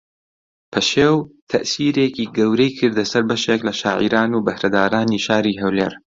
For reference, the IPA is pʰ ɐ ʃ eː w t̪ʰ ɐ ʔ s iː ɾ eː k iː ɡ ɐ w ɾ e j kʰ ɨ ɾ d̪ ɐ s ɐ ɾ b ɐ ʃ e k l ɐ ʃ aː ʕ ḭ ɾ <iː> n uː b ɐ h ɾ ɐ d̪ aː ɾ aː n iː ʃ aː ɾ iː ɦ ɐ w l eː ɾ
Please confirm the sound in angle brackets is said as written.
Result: no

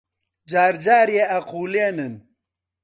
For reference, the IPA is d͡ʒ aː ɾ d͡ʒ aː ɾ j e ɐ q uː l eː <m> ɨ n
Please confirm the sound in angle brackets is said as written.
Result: no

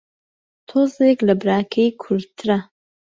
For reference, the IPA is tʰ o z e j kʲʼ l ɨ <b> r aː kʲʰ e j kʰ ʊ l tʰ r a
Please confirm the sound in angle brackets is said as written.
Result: yes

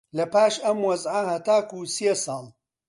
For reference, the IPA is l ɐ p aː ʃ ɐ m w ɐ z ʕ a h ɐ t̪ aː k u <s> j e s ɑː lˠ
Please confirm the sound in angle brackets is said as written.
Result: yes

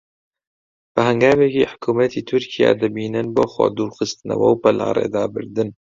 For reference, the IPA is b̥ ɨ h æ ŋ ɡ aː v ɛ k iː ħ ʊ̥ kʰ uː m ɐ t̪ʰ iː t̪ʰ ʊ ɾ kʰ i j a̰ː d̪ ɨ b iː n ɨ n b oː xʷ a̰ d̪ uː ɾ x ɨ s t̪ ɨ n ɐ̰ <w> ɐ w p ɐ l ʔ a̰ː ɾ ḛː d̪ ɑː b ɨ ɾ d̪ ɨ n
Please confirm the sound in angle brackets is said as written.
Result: yes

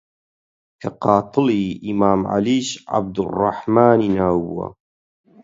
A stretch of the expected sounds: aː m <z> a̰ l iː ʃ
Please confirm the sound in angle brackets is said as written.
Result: no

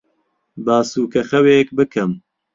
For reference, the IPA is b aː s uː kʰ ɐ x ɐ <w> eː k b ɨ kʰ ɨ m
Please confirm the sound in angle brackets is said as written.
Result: yes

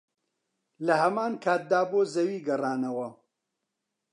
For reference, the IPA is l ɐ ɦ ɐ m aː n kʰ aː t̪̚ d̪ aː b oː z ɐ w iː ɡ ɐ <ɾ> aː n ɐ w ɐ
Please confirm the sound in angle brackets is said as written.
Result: no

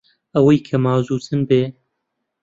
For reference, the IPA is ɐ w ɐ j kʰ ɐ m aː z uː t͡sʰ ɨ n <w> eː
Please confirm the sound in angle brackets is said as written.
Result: no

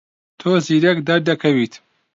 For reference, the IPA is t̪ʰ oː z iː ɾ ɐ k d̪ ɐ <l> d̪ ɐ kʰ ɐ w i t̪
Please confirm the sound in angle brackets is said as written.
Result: no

